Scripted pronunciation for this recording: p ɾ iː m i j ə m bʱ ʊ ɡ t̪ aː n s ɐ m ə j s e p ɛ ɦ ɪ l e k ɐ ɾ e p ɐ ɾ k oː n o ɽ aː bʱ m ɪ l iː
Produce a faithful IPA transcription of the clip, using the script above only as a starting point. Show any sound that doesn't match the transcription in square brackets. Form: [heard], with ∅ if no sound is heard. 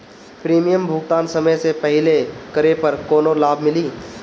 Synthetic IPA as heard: p ɾ iː m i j ə m bʱ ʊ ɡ t̪ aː n s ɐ m ə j s e p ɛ ɦ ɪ l e k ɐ ɾ e p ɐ ɾ k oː n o [l] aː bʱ m ɪ l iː